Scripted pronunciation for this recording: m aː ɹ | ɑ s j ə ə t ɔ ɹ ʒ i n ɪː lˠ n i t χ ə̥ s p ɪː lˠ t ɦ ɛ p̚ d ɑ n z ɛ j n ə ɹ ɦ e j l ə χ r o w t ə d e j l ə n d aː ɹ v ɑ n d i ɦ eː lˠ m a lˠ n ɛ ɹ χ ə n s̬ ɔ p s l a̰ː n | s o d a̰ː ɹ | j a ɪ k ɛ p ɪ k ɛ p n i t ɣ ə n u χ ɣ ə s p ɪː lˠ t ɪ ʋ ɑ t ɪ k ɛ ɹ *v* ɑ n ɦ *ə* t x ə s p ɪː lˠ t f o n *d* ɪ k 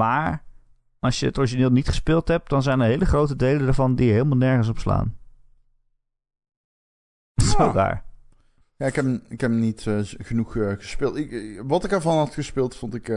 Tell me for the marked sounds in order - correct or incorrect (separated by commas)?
correct, incorrect, incorrect